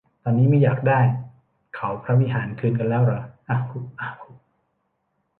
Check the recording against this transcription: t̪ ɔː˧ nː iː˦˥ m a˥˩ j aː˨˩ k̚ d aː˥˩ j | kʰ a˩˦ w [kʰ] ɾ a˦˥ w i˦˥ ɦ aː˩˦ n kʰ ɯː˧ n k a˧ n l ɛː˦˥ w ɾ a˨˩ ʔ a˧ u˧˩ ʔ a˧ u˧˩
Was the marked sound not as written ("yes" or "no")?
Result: yes